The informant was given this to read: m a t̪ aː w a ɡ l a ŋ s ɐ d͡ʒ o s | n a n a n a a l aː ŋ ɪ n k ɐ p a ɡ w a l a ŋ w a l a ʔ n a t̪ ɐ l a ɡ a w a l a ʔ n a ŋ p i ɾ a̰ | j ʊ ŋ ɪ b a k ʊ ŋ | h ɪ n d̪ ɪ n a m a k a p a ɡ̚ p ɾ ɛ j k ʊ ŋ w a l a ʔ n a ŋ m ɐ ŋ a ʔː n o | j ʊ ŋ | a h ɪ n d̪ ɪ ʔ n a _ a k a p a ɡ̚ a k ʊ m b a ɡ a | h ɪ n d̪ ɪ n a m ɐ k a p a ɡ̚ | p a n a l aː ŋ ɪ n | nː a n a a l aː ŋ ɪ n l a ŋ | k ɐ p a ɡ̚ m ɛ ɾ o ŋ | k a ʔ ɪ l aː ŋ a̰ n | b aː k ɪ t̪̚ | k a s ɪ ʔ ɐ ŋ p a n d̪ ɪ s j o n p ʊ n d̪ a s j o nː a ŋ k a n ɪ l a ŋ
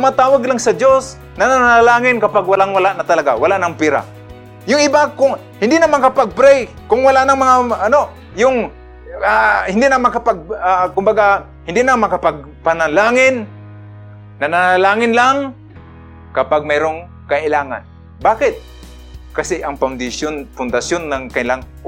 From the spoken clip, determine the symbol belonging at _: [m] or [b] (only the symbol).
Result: m